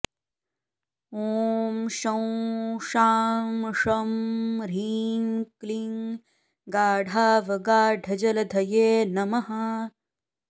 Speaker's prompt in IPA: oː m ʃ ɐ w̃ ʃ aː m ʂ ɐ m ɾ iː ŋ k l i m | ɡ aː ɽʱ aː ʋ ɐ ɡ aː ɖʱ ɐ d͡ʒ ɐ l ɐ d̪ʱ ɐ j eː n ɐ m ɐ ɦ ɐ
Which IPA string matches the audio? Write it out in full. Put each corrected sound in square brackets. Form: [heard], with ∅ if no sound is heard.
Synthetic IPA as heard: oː m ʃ ɐ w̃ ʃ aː m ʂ ɐ m ɾ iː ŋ k l i [ŋ] | ɡ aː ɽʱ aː ʋ ɐ ɡ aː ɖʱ ɐ d͡ʒ ɐ l ɐ d̪ʱ ɐ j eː n ɐ m ɐ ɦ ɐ